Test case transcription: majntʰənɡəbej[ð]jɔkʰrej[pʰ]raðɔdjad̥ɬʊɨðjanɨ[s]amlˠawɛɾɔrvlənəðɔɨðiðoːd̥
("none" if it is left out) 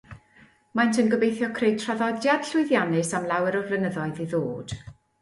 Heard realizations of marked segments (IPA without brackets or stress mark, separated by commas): θ, tʰ, s